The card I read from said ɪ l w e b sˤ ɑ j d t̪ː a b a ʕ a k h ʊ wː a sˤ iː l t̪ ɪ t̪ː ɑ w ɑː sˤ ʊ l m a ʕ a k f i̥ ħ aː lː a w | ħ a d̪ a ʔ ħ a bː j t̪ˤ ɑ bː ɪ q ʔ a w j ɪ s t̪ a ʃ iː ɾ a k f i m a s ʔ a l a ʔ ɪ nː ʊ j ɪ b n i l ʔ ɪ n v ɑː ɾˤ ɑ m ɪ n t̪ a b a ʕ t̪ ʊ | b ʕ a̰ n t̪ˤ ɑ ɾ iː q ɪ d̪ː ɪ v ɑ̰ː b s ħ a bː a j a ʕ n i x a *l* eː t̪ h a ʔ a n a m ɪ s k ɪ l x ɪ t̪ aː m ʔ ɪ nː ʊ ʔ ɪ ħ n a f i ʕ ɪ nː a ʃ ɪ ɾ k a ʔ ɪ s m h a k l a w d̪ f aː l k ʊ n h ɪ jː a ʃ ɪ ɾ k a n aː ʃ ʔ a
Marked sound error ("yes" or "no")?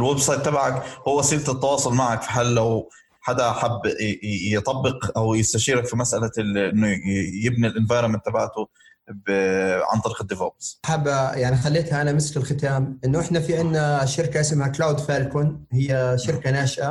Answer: yes